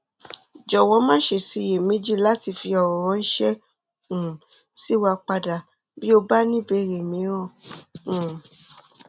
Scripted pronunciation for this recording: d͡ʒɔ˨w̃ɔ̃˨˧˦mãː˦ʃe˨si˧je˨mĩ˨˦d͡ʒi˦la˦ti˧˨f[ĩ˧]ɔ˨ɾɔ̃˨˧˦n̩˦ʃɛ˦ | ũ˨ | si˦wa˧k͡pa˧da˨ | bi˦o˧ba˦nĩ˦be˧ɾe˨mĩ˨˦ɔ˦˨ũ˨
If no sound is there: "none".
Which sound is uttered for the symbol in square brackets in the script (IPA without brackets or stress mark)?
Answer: i˧